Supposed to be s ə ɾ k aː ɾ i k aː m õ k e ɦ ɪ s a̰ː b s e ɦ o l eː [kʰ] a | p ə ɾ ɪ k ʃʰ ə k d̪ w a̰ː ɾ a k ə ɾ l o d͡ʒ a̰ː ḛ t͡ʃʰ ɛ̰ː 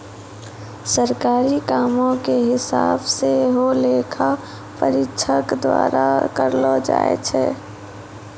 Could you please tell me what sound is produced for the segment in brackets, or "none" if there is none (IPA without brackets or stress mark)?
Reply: kʰ